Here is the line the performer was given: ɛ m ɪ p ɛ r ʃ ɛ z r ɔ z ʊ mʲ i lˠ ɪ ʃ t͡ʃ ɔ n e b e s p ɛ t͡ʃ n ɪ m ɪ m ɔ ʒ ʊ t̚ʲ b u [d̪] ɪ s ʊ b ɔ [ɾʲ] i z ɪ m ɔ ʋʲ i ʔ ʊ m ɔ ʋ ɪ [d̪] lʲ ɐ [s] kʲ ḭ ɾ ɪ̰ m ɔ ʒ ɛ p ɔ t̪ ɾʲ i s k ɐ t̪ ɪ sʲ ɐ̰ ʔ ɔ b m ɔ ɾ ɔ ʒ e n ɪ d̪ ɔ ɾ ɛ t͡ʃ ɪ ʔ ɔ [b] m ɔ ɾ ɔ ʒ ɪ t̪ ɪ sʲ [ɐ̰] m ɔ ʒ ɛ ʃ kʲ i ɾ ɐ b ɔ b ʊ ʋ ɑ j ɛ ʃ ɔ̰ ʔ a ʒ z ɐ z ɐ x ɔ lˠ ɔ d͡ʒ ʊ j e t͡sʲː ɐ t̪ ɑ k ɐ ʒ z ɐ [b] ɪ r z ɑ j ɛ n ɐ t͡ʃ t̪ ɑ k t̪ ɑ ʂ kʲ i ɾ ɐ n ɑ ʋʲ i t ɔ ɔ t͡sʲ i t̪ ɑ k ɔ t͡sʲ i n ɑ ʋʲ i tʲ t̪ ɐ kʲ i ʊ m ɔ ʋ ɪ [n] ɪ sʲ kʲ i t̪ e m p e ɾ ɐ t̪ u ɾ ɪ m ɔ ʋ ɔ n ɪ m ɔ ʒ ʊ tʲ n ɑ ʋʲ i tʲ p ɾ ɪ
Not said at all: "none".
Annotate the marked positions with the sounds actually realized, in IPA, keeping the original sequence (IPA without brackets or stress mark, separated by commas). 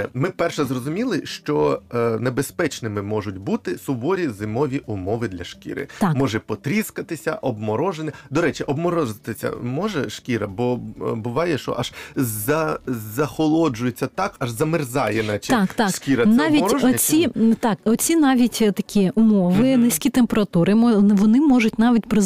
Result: t̪, ɾʲ, d̪, ʃ, b, ɐ̰, m, n